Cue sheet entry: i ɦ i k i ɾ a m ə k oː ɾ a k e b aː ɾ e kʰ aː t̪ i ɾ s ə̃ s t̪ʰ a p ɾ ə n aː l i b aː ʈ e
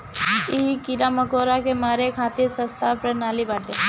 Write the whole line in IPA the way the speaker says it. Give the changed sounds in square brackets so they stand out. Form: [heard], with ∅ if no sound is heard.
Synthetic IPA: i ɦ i k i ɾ a m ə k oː ɾ a k e [m] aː ɾ e kʰ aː t̪ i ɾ s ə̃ s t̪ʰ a p ɾ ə n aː l i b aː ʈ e